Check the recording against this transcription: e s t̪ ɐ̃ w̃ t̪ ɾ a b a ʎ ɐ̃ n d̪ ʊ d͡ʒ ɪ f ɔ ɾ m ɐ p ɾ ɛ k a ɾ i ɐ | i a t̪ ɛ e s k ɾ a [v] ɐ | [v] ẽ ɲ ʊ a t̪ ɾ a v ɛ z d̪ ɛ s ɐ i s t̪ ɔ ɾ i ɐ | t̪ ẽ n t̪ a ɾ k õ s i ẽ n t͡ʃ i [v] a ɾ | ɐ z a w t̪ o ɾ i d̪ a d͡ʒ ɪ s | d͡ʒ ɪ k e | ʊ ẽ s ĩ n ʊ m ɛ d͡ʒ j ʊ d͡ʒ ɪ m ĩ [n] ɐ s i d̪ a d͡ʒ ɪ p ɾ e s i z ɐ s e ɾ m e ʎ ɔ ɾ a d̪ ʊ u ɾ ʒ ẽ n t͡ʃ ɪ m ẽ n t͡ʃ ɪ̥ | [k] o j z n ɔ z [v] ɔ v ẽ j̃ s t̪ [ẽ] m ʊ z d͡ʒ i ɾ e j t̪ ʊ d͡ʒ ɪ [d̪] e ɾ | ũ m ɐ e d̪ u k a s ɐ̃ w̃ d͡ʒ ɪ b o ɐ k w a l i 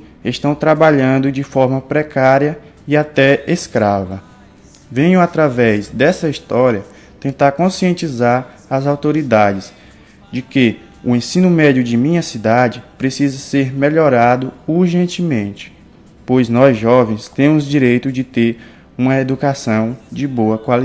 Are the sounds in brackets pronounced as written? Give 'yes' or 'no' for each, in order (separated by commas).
yes, yes, no, no, no, no, yes, no